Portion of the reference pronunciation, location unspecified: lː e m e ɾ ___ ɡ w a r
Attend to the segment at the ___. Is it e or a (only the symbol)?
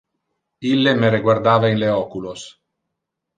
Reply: e